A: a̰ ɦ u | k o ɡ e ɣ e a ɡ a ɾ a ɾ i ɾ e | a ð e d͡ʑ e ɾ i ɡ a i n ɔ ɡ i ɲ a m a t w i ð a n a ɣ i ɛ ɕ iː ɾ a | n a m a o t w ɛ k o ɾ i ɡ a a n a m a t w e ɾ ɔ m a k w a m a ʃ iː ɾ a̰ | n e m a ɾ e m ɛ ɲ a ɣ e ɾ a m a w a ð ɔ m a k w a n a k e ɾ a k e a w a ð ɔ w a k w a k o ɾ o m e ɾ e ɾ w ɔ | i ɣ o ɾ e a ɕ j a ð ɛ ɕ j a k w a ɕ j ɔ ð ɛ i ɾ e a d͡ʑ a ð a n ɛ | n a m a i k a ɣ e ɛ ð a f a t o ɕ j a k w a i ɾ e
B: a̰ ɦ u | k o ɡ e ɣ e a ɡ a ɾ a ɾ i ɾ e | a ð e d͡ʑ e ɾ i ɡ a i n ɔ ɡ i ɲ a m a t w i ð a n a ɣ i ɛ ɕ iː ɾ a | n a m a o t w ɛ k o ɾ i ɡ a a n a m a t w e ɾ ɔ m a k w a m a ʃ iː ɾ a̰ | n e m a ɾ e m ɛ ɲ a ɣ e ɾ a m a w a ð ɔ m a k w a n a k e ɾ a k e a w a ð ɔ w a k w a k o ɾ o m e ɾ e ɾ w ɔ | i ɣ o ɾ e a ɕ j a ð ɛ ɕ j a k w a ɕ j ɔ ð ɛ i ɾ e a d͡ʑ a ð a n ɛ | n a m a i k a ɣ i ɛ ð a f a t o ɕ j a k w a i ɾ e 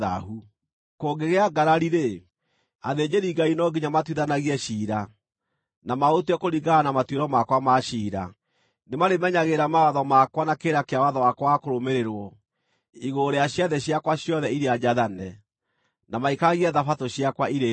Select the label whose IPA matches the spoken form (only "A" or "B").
B